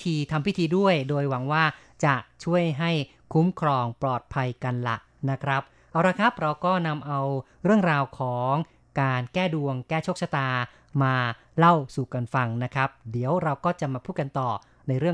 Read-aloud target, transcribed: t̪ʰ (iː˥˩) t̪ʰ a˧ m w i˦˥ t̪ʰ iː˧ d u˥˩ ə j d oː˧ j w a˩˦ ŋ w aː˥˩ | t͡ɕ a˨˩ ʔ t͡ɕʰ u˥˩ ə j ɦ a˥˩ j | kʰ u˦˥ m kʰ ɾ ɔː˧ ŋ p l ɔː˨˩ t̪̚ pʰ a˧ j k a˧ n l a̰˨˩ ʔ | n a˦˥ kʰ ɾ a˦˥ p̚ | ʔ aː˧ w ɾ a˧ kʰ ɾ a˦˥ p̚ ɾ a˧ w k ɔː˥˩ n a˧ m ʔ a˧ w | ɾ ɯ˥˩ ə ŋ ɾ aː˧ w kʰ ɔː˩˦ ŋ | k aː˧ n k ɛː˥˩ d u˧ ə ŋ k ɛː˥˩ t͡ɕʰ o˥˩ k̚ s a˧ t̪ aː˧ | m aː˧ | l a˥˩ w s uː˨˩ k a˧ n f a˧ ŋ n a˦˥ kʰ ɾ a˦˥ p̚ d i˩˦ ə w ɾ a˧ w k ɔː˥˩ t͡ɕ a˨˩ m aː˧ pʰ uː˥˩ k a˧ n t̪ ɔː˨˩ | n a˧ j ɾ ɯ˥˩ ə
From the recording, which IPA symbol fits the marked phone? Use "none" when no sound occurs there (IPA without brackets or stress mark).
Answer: iː˧